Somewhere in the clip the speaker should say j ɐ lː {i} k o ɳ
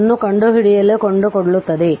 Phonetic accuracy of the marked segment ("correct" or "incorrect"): incorrect